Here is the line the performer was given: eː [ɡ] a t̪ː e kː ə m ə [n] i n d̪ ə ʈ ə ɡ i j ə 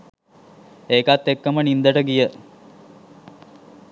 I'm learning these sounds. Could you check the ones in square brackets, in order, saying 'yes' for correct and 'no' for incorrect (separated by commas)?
no, yes